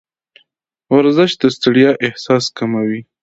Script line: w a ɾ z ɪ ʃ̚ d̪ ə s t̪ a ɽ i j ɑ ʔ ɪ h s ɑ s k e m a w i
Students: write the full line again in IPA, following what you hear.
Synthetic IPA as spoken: w a ɾ z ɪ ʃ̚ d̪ ə s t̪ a ɽ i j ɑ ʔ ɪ h s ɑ s k a m a w i

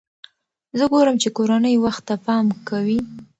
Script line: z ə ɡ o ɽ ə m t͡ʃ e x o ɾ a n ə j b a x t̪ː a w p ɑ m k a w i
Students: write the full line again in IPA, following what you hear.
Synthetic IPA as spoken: z ə ɡ o ɾ ə m t͡ʃ e k o ɾ a n ə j w a x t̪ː a p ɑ m k a w i

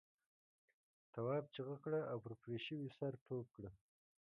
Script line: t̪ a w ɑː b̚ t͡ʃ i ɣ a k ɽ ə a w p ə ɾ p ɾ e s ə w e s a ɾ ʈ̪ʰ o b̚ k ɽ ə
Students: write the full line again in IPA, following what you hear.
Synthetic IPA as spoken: t̪ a w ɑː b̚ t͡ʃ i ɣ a k ɽ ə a w p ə ɾ p ɾ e ʃ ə w i s a ɾ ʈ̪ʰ o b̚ k ɽ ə

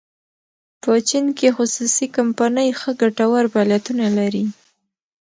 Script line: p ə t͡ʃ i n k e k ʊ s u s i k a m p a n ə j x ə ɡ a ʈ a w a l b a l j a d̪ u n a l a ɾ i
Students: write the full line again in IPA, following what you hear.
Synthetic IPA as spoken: p ə t͡ʃ i n k e x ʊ s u s i k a m p a n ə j x ə ɡ a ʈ a w a ɾ b a l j a t̪ u n a l a ɾ i

